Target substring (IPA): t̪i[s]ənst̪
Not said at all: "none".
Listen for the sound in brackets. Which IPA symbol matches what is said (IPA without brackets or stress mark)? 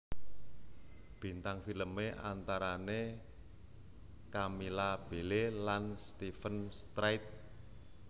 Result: f